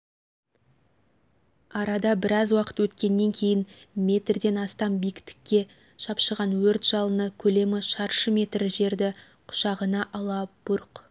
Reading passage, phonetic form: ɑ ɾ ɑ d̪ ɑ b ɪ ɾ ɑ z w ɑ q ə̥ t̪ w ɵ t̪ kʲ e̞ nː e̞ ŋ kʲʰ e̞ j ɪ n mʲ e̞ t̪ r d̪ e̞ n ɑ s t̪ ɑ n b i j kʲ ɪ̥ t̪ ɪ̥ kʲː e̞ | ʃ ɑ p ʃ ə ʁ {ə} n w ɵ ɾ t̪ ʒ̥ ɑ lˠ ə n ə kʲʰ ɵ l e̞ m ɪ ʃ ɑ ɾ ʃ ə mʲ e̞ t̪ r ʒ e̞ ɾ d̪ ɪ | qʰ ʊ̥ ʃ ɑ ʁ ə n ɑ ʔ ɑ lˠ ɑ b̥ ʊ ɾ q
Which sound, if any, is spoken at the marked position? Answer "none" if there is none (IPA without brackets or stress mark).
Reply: ɑ